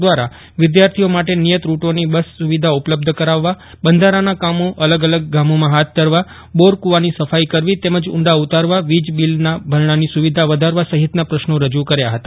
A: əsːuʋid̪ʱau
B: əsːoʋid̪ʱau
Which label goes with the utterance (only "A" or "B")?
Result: A